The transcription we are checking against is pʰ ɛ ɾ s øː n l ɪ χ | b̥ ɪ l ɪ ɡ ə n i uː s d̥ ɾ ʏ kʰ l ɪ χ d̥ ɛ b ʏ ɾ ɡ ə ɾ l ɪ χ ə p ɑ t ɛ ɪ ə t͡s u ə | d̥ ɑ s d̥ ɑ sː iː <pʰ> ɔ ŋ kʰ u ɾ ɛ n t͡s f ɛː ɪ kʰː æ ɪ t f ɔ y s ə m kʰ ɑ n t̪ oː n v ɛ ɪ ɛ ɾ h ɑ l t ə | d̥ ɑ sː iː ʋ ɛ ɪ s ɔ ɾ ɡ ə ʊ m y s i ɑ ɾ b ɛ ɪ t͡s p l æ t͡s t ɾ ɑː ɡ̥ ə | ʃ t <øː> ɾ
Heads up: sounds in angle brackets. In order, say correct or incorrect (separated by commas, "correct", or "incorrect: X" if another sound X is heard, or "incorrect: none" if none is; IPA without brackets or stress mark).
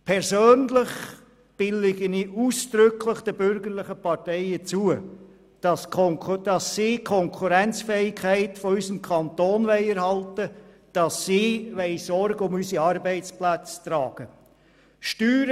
incorrect: kʰ, incorrect: yː